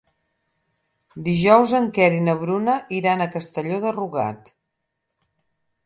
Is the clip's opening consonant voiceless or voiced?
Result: voiced